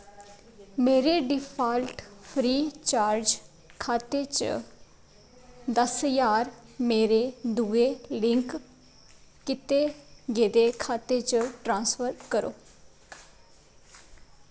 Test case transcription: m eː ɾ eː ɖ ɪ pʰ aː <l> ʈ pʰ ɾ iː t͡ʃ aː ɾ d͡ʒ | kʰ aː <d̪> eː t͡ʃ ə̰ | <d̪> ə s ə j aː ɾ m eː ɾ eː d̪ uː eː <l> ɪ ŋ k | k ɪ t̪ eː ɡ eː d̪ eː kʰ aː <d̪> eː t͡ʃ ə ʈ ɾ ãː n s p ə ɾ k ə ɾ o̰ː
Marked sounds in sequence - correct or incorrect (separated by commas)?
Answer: correct, incorrect, correct, correct, incorrect